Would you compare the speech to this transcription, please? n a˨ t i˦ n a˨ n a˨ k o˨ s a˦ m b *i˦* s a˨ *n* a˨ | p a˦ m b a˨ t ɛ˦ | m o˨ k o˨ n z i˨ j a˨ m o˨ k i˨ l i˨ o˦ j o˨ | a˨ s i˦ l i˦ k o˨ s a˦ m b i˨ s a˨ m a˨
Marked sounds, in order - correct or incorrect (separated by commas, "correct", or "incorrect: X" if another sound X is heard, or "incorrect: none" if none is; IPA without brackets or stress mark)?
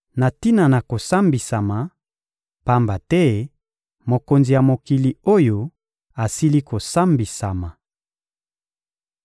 incorrect: i˨, incorrect: m